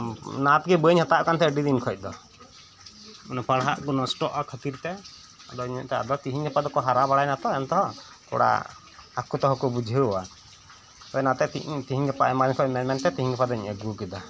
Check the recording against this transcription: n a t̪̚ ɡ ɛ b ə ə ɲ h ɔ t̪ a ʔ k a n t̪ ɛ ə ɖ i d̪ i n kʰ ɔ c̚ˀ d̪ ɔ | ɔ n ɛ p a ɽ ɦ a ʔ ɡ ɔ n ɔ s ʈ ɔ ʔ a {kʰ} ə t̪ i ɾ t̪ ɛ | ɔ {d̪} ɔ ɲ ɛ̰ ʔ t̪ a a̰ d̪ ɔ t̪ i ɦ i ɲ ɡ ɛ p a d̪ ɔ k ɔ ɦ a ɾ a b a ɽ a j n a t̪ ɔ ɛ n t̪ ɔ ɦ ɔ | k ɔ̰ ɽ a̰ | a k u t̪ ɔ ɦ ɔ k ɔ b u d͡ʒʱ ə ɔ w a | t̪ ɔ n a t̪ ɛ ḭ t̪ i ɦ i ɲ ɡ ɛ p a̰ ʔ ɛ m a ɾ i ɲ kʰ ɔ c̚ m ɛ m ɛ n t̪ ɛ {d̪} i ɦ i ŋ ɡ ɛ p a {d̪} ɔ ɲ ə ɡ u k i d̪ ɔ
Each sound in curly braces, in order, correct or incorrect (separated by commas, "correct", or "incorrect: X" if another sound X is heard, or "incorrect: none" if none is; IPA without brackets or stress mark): correct, correct, incorrect: t̪, correct